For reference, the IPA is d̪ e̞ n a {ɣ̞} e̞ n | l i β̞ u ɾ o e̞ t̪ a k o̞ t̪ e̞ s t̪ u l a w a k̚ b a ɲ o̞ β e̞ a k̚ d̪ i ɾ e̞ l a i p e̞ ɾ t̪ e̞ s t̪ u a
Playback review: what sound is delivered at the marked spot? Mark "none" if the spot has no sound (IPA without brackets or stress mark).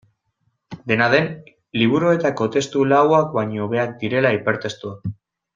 ð̞